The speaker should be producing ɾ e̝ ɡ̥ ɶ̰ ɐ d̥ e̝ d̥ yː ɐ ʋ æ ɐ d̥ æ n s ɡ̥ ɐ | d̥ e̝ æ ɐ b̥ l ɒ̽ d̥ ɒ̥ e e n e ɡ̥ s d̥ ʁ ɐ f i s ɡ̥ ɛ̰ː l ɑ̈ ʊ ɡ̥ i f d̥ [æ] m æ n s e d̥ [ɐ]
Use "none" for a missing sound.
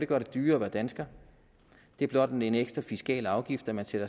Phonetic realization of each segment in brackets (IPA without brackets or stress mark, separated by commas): æ, ɐ